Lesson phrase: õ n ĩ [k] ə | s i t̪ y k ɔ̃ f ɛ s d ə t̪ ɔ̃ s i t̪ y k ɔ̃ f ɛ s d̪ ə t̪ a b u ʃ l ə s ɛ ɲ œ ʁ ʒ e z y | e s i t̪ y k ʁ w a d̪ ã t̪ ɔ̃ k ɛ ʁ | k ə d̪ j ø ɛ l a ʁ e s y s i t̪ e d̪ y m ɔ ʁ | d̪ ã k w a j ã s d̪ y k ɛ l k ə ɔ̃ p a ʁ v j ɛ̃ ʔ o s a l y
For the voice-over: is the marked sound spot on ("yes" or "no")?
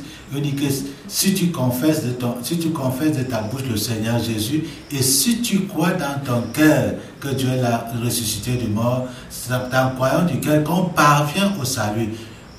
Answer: yes